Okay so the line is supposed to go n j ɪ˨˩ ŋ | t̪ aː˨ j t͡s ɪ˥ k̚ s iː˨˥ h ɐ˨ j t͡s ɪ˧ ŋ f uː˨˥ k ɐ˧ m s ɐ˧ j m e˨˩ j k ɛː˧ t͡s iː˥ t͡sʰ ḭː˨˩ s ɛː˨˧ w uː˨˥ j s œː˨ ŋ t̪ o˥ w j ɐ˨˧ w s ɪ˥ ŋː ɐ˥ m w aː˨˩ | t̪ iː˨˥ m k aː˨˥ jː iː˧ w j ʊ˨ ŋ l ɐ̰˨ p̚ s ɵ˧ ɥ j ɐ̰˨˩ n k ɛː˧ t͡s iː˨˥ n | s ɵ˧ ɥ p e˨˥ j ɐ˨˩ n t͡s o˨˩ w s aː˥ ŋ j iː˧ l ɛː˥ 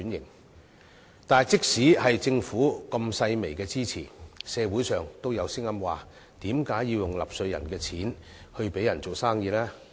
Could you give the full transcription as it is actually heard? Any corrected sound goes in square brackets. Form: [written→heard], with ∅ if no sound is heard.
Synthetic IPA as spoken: n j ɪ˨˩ ŋ | t̪ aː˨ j t͡s ɪ˥ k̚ s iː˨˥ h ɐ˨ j t͡s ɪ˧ ŋ f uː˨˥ k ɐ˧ m s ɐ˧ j m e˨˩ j k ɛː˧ t͡s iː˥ t͡sʰ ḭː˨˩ s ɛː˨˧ w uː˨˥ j s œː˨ ŋ t̪ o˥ w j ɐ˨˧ w s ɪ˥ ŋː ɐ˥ m w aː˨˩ | t̪ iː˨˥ m k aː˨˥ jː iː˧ w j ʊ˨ ŋ l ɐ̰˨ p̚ s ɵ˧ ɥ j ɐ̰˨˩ n k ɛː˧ [t͡s→t͡sʰ] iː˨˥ n | [s→h] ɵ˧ ɥ p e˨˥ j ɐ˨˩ n t͡s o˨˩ w s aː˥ ŋ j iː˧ l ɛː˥